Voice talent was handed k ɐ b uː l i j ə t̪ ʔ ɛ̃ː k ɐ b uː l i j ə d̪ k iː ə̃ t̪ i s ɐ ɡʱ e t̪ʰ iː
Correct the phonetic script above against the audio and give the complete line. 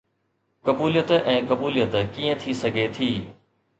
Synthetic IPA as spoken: k ɐ b uː l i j ə t̪ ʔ ɛ̃ː k ɐ b uː l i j ə t̪ k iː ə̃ t̪ʰ i s ɐ ɡʱ e t̪ʰ iː